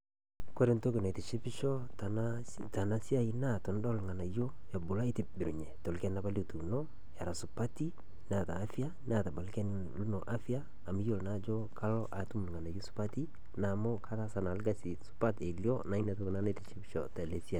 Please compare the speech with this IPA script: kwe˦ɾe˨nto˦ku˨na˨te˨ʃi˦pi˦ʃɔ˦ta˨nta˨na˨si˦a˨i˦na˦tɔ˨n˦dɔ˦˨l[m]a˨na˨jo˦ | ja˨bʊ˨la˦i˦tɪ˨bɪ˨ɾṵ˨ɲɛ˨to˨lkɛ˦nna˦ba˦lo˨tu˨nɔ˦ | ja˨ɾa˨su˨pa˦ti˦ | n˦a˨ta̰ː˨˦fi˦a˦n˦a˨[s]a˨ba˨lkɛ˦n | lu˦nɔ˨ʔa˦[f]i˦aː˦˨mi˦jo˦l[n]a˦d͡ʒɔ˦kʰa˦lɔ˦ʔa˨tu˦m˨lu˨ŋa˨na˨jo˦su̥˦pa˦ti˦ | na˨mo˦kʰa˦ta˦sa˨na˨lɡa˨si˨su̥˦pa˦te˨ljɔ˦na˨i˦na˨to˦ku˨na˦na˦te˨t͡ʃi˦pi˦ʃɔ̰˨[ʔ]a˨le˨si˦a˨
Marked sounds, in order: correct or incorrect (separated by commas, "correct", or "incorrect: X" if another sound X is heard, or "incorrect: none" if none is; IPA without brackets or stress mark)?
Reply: incorrect: ŋ, incorrect: t, correct, correct, incorrect: t